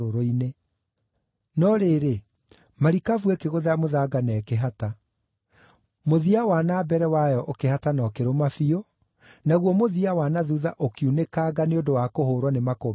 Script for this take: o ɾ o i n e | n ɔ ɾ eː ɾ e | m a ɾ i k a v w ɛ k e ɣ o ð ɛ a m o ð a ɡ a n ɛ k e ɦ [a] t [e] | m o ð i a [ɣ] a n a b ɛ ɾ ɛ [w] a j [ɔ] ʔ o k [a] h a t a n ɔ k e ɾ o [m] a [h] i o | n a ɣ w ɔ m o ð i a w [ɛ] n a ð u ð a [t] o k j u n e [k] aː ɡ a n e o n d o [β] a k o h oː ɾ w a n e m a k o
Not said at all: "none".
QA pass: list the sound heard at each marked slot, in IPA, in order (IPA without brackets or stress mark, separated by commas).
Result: a, a, w, w, ɔ, e, m, f, a, ʔ, k, w